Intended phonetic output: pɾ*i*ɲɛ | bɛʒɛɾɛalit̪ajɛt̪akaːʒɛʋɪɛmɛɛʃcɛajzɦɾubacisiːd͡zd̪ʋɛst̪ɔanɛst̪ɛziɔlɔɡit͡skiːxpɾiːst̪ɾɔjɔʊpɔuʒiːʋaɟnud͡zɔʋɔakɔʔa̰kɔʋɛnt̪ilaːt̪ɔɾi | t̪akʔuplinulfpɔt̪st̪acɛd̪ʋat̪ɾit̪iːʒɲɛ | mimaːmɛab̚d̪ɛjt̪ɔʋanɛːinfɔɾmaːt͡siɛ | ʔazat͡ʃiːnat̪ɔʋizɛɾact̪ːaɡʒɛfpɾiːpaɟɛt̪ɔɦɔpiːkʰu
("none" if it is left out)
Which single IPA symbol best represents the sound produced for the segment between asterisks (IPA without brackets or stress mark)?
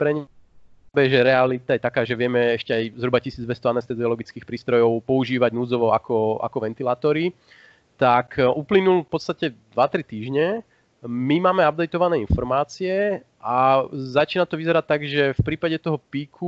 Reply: ɛ